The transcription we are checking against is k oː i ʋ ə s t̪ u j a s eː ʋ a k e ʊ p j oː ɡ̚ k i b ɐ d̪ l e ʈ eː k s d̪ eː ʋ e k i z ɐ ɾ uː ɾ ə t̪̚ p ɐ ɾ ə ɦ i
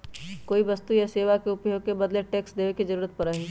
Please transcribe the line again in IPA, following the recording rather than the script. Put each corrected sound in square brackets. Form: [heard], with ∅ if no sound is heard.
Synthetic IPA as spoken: k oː i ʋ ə s t̪ u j a s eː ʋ a k e ʊ p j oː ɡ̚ k [e] b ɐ d̪ l e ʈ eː k s d̪ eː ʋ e k i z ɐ ɾ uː ɾ ə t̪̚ p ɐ ɾ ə ɦ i